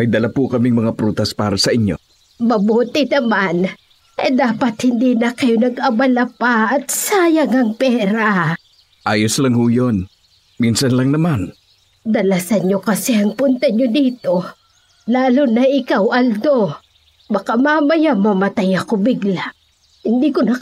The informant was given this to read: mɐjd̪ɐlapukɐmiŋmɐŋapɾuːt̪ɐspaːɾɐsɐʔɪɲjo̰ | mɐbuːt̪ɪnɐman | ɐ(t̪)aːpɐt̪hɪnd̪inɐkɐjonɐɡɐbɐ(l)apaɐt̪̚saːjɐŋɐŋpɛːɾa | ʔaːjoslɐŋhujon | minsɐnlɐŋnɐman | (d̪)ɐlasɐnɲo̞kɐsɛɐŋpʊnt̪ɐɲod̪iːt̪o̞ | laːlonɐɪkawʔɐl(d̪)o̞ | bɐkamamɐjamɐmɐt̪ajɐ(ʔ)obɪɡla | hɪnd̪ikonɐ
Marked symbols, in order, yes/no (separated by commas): no, yes, yes, yes, no